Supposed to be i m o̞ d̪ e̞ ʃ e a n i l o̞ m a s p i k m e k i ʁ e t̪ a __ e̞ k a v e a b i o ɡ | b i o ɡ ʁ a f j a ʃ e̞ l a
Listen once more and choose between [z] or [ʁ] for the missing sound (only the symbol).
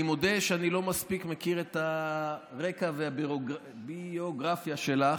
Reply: ʁ